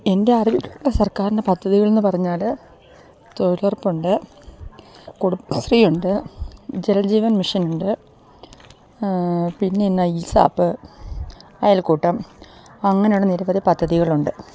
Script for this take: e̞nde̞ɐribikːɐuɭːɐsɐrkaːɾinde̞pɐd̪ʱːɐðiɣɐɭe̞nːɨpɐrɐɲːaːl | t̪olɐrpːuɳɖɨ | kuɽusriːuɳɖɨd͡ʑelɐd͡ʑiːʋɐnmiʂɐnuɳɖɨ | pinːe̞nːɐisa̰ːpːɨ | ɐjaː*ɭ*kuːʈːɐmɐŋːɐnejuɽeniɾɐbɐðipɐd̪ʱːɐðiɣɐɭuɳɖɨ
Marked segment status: incorrect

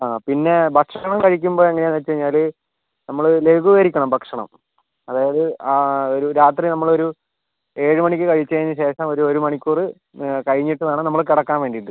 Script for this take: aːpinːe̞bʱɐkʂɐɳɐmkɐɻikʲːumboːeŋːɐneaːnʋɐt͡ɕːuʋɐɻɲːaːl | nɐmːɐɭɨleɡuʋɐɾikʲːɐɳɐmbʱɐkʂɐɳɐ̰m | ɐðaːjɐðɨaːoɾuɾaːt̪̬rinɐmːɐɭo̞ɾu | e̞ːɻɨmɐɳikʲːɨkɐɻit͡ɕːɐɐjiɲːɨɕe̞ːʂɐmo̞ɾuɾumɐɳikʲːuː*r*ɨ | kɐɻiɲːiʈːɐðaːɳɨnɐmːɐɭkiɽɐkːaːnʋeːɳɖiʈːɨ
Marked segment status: correct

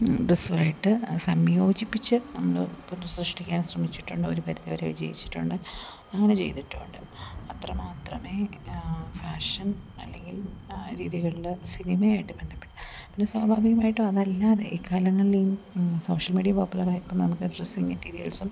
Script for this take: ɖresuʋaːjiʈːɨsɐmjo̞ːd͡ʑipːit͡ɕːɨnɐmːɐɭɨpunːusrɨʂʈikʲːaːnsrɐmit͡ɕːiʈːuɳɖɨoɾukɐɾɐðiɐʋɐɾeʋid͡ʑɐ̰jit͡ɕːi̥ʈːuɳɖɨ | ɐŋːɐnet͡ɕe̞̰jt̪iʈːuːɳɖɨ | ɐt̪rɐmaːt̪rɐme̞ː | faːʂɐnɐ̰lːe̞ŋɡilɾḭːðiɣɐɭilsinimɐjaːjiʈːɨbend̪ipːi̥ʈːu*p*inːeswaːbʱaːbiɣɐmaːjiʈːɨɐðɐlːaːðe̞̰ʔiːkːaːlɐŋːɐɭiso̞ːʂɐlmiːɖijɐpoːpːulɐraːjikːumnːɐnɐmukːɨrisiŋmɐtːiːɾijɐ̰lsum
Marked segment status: correct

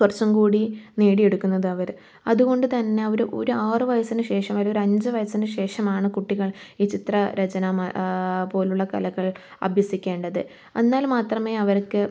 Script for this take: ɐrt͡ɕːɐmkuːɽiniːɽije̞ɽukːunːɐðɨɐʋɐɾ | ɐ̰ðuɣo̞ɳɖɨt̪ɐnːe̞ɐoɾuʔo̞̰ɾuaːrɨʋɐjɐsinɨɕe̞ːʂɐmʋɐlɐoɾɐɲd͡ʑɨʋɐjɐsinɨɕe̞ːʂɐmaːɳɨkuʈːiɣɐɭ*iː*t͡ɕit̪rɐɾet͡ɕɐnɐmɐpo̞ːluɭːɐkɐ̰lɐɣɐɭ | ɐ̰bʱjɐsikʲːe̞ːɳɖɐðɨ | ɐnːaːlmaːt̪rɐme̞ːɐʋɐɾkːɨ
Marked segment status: correct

